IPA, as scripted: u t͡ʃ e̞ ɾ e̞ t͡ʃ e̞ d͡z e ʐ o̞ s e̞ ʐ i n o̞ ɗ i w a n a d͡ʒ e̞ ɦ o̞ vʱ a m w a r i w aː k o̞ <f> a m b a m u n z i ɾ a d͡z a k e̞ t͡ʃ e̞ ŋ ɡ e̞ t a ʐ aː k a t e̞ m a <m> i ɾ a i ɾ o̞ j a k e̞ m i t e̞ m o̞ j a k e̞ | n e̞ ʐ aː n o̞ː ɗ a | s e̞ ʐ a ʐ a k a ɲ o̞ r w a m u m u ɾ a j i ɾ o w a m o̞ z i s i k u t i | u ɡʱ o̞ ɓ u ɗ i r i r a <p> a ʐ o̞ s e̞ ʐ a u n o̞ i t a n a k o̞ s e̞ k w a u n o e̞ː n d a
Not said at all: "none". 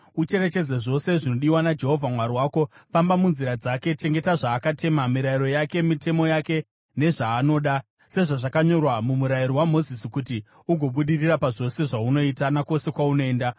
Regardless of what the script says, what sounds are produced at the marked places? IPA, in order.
f, m, p

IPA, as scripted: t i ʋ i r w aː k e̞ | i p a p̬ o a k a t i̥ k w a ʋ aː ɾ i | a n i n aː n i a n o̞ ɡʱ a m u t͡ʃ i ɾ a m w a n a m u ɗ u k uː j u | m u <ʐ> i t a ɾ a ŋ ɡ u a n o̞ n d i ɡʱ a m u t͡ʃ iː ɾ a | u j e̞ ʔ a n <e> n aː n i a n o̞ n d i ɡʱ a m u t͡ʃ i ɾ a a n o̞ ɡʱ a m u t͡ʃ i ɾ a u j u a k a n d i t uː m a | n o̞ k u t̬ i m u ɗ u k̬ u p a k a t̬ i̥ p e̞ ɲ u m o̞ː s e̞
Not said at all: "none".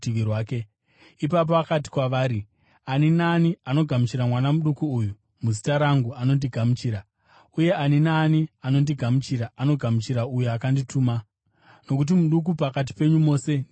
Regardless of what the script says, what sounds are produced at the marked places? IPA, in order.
z, i

